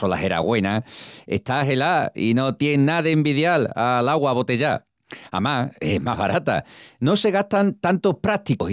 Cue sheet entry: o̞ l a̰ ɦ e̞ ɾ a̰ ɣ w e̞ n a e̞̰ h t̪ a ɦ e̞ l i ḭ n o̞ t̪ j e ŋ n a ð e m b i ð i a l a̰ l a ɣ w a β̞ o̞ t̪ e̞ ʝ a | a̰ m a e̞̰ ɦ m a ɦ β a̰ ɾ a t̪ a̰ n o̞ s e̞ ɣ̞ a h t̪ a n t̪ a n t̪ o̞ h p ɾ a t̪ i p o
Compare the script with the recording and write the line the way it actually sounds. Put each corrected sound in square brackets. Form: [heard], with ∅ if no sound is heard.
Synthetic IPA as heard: o̞ l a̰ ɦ e̞ ɾ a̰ ɣ w e̞ n a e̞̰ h t̪ a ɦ e̞ l [a] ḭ n o̞ t̪ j e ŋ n a ð e m b i ð [j] a l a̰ l a ɣ w a β̞ o̞ t̪ e̞ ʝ a | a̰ m a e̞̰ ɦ m a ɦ β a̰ ɾ a t̪ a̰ n o̞ s e̞ ɣ̞ a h t̪ a n t̪ a n t̪ o̞ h p ɾ a t̪ i [k] o